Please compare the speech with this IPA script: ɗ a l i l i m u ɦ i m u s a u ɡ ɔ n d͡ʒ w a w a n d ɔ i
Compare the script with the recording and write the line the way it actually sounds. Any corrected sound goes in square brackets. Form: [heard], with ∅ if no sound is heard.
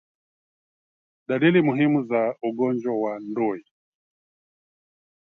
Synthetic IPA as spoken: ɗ a l i l i m u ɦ i m u [z] a u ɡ ɔ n d͡ʒ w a w a n d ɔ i